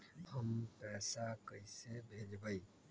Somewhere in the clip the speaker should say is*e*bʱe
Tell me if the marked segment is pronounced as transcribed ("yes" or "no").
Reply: yes